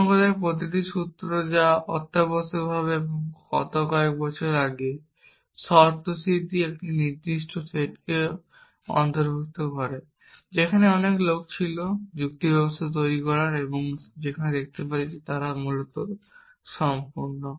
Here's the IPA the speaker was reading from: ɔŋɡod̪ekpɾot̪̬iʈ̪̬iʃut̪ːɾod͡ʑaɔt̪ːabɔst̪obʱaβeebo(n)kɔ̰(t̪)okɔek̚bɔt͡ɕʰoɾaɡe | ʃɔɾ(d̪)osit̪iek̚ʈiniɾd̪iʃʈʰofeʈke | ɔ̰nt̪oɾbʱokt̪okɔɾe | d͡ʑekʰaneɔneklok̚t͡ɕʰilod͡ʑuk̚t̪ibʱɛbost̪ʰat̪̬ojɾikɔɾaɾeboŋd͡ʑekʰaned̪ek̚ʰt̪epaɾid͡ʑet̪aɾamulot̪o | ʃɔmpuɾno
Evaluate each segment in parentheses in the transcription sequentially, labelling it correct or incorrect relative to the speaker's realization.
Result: incorrect, correct, incorrect

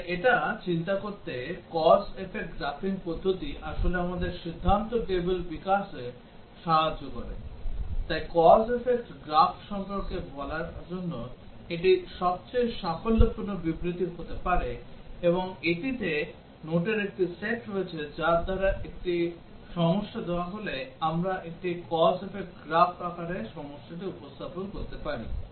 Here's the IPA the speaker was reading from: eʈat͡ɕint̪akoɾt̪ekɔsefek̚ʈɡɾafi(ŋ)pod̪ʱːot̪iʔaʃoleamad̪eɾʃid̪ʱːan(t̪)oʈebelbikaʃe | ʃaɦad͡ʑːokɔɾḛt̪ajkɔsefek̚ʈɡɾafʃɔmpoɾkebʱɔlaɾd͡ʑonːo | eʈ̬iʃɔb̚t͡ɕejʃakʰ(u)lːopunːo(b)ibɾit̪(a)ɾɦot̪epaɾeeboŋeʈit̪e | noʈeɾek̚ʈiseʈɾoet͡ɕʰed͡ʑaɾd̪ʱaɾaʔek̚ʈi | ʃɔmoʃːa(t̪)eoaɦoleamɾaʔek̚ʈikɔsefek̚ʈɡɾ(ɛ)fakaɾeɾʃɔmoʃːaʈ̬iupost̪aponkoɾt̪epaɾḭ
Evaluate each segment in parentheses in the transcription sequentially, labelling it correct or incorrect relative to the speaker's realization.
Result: correct, correct, incorrect, correct, incorrect, incorrect, incorrect

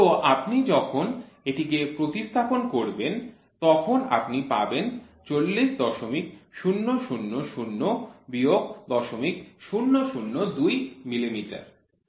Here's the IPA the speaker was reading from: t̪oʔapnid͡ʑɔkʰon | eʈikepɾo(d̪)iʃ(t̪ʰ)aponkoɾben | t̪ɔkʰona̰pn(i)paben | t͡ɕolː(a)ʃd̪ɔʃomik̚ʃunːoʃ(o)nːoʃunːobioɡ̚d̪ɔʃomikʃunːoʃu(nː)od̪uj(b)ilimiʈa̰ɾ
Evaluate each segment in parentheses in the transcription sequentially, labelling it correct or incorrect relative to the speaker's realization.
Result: incorrect, correct, correct, incorrect, incorrect, correct, incorrect

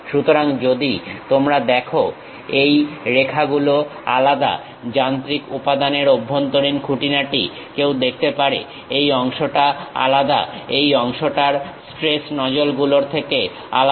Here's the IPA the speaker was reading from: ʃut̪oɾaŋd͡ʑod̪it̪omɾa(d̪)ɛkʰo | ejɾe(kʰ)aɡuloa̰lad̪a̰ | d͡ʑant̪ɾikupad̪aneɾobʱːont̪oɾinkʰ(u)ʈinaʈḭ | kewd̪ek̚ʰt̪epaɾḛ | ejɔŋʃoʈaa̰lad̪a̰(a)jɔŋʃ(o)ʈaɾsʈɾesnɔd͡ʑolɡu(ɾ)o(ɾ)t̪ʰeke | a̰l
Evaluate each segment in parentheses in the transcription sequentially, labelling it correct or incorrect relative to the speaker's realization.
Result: correct, correct, correct, incorrect, correct, incorrect, correct

